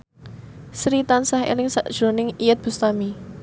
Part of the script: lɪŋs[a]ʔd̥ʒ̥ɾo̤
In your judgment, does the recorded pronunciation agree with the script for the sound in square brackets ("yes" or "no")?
yes